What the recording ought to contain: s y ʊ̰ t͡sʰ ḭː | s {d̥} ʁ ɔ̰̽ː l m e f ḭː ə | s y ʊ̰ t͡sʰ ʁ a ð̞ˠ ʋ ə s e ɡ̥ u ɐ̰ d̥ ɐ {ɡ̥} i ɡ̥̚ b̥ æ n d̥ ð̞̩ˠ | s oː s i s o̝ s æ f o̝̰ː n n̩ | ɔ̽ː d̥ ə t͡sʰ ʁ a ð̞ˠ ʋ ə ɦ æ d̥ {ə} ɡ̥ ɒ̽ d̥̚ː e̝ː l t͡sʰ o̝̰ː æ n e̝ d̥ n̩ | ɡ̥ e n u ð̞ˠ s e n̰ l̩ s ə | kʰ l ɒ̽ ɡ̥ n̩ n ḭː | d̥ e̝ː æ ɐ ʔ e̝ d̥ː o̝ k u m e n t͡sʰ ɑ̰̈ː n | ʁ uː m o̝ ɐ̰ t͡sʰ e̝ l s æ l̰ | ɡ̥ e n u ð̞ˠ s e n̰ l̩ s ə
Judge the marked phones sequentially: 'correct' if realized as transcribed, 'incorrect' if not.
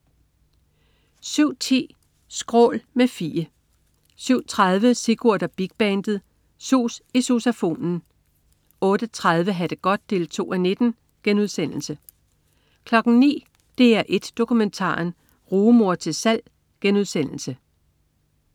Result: incorrect, incorrect, correct

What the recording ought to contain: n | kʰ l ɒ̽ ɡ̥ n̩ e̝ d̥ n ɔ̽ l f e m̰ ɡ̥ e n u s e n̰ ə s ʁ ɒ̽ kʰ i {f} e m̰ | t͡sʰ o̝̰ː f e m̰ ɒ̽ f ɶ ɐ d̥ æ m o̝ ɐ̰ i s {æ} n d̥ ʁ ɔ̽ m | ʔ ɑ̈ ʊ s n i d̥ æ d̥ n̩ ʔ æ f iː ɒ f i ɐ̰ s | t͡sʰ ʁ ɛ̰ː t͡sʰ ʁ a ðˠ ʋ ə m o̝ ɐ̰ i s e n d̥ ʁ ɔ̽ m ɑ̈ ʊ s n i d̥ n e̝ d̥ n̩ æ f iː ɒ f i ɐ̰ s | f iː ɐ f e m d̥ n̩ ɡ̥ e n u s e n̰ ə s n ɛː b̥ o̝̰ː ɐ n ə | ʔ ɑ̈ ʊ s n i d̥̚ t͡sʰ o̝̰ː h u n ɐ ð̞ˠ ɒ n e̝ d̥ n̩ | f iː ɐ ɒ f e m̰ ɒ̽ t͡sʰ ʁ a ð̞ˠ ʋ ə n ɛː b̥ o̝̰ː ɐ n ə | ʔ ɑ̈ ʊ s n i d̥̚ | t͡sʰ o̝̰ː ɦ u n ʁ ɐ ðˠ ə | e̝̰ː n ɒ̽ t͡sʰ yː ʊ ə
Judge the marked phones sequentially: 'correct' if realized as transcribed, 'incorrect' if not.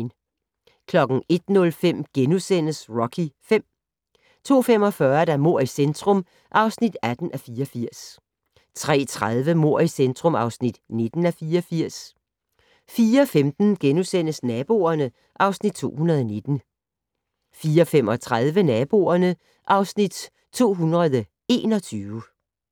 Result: correct, incorrect

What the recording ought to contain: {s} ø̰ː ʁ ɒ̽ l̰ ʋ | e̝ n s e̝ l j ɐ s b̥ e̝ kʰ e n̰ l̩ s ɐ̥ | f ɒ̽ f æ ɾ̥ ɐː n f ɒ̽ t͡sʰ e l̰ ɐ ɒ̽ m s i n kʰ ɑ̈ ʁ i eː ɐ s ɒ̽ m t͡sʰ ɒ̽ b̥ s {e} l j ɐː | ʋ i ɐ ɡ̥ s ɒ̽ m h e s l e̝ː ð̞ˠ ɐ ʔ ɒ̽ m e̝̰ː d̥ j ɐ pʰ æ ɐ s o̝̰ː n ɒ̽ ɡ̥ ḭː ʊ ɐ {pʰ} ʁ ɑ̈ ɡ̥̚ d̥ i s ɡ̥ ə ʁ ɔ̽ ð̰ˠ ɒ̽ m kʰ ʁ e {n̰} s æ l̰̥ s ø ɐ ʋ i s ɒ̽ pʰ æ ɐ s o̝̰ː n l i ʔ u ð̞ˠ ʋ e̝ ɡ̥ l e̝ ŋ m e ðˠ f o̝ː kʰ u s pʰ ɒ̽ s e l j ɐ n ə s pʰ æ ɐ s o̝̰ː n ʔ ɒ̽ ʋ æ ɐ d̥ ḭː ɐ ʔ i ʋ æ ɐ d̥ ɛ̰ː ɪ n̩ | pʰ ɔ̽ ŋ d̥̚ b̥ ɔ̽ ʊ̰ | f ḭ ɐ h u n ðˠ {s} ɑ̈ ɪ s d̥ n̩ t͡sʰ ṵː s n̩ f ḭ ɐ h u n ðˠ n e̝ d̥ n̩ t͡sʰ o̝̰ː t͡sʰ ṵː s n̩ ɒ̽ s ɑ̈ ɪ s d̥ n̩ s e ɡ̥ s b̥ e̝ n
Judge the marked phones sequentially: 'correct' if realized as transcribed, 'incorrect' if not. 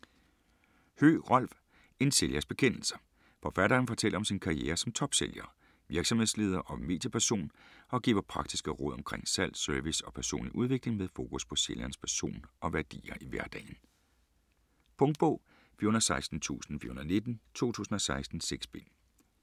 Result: incorrect, correct, correct, incorrect, correct

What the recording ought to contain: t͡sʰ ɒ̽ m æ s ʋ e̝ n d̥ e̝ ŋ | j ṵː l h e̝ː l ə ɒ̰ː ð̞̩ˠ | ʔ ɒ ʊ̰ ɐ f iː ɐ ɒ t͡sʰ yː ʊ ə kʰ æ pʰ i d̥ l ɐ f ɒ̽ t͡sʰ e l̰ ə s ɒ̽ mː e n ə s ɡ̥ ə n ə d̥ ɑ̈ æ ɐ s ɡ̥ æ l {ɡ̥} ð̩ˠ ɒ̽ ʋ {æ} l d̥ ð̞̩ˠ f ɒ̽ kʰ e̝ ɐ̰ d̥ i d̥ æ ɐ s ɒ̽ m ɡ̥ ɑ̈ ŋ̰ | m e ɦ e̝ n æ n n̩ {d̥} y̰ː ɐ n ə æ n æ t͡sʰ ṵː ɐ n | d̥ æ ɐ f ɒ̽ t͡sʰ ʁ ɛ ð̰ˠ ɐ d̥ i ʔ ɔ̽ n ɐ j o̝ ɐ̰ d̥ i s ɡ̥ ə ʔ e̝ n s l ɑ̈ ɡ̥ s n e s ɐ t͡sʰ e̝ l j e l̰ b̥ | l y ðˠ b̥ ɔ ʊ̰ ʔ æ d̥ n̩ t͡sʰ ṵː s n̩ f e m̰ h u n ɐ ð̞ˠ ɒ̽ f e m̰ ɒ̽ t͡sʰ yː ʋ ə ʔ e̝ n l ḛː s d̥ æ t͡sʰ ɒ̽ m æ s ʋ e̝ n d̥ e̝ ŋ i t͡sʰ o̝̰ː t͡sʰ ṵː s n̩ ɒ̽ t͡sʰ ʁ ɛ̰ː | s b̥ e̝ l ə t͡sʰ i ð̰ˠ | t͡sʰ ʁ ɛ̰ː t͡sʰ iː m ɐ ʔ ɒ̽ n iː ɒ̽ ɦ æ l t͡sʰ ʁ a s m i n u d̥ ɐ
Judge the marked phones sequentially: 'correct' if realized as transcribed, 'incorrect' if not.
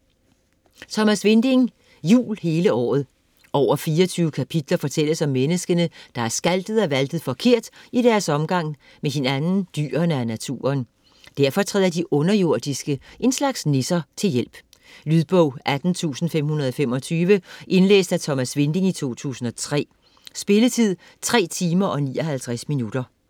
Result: incorrect, correct, correct

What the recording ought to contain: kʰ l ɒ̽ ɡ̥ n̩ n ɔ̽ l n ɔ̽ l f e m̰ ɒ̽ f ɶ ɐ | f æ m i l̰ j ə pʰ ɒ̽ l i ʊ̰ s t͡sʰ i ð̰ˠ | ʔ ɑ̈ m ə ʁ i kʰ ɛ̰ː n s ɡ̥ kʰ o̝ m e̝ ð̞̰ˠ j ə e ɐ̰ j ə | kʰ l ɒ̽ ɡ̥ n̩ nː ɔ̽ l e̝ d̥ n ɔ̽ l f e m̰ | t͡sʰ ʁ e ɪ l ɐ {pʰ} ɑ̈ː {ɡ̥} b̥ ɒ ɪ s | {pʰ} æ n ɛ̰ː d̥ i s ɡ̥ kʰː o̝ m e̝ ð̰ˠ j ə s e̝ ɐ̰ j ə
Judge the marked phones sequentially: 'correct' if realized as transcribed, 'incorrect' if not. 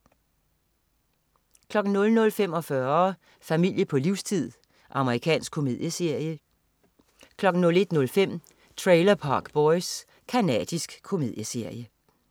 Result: correct, correct, incorrect

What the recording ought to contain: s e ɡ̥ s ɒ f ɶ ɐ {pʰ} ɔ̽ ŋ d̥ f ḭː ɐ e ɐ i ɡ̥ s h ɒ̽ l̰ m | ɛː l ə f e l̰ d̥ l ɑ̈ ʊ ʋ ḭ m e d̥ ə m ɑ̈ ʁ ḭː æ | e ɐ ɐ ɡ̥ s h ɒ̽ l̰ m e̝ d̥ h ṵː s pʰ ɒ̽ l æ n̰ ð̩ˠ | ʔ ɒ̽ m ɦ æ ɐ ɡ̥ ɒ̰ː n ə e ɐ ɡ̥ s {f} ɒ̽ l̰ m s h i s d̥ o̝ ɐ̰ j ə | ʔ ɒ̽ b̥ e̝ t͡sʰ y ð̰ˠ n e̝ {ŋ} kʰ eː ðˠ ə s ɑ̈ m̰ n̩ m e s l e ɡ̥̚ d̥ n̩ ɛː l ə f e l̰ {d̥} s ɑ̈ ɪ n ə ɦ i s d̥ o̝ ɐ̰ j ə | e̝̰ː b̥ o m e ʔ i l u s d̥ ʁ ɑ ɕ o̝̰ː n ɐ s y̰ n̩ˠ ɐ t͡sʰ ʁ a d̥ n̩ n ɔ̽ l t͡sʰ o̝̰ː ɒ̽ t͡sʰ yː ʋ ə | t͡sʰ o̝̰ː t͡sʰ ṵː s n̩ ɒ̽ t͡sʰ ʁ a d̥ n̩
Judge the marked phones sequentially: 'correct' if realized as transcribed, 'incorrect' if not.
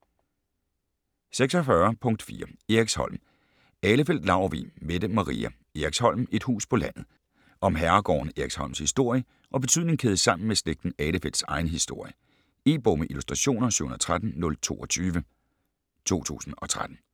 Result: correct, incorrect, correct, correct

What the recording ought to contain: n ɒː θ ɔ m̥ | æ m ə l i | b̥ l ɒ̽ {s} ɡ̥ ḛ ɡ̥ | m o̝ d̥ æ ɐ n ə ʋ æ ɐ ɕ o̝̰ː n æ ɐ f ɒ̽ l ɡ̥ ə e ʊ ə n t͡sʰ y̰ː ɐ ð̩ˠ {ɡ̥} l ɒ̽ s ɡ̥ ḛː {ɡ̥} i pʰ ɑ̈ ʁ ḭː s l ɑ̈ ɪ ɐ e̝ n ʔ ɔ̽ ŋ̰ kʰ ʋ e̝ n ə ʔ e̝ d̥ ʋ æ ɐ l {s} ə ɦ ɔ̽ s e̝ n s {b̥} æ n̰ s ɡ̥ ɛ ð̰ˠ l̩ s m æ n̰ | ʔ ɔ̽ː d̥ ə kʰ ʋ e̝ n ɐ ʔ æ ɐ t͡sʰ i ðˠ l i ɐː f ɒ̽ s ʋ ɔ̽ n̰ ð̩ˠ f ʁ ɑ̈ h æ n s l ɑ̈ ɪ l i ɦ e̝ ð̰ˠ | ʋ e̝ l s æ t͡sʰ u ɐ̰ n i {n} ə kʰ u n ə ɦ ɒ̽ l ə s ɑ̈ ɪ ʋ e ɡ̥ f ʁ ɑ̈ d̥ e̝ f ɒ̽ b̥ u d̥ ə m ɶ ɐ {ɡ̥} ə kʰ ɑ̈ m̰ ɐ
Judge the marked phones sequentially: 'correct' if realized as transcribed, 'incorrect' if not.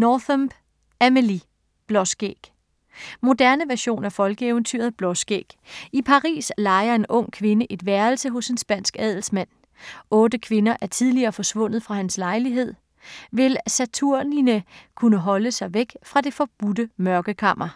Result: correct, incorrect, correct, correct, correct, correct, correct

